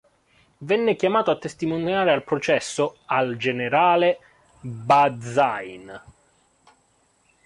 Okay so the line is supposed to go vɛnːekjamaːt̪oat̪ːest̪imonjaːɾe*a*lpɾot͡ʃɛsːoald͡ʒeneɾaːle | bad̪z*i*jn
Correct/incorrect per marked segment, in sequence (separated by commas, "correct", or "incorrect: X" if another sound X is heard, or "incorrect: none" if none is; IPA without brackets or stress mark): correct, incorrect: a